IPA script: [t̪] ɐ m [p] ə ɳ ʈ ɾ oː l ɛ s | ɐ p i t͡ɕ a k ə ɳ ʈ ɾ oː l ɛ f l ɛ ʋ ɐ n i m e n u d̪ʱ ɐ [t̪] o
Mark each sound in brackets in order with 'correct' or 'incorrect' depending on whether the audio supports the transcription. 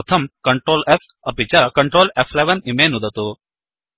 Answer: incorrect, incorrect, correct

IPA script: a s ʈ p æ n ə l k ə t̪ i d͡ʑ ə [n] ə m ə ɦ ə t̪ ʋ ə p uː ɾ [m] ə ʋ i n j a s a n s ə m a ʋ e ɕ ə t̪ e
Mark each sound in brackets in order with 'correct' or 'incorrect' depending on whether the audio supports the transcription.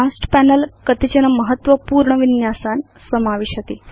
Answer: correct, incorrect

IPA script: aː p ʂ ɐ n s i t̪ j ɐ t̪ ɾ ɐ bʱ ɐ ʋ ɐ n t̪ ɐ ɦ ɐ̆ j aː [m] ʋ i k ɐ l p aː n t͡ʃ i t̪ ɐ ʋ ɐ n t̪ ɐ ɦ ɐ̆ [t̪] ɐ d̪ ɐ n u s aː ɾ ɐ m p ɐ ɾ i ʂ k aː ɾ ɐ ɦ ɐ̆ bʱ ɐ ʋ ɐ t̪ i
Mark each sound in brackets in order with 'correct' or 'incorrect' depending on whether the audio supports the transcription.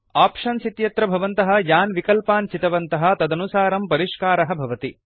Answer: incorrect, correct

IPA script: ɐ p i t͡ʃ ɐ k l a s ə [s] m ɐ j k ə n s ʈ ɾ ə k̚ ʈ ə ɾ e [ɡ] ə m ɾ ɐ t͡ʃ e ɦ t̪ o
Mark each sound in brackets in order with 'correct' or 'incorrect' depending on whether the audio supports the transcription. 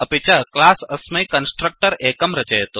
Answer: correct, incorrect

